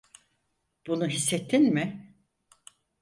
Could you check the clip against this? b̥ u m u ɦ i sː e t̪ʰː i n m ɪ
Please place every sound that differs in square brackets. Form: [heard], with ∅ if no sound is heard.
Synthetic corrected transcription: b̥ u [n] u ɦ i sː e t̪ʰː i n m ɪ

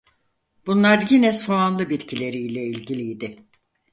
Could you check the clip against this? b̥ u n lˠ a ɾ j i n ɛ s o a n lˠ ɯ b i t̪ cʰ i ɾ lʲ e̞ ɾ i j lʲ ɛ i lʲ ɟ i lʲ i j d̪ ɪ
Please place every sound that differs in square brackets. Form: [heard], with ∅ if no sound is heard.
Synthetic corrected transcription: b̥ u n lˠ a ɾ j i n ɛ s o a n lˠ ɯ b i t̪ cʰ i [∅] lʲ e̞ ɾ i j lʲ ɛ i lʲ ɟ i lʲ i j d̪ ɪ

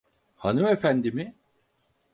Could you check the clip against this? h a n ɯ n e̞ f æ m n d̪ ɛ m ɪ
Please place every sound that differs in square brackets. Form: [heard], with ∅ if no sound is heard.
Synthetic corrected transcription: h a n ɯ [m] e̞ f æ [∅] n d̪ [i] m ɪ

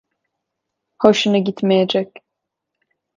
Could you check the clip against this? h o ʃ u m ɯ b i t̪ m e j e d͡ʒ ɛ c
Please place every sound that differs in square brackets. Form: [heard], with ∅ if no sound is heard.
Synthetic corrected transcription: h o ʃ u [n] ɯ [ɟ] i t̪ m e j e d͡ʒ ɛ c

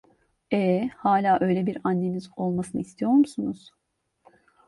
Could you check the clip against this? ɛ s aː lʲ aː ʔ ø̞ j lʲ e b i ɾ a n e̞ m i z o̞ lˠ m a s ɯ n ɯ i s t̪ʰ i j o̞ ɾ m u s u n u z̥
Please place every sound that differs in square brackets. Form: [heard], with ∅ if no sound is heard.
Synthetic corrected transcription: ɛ [h] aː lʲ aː ʔ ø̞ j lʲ e b i ɾ a [nː] e̞ m i z o̞ lˠ m a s ɯ n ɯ i s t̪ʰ i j o̞ ɾ m u s u n u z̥

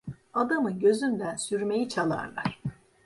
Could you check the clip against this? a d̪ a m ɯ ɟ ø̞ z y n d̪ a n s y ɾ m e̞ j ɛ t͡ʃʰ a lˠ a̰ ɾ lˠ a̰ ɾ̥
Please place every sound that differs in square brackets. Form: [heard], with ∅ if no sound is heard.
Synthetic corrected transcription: a d̪ a m ɯ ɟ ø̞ z y n d̪ [æ] n s y ɾ m e̞ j [i] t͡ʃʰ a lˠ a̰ ɾ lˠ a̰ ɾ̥

